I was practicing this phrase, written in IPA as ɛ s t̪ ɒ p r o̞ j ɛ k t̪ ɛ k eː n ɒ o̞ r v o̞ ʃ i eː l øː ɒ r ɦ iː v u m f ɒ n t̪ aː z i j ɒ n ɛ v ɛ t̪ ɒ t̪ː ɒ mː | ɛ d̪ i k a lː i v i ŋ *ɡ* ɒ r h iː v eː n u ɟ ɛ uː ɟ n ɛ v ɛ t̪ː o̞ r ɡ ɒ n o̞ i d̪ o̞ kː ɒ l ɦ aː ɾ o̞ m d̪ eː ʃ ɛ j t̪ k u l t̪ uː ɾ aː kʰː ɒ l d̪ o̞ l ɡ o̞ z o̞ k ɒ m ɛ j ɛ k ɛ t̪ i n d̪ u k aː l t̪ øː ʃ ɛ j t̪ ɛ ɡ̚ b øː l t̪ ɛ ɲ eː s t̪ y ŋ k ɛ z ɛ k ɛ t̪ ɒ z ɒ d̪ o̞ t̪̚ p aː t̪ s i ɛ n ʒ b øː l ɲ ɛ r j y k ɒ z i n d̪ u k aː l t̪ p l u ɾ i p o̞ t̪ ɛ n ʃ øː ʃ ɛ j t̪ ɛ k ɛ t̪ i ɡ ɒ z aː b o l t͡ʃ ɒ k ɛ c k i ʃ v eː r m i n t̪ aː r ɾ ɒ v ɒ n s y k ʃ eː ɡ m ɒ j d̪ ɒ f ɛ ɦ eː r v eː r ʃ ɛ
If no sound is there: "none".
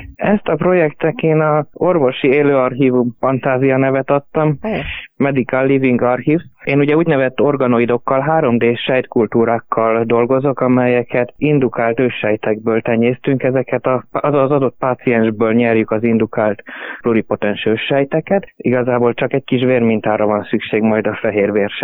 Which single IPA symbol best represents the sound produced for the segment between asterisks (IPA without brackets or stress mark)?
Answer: ɡ